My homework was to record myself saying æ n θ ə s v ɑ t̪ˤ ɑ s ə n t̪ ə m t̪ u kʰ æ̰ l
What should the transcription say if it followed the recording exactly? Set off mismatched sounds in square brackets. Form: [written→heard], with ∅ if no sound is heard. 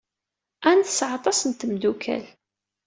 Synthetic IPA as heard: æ n θ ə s [v→ʕ] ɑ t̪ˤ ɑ s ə n t̪ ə m [t̪→d̪] u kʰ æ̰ l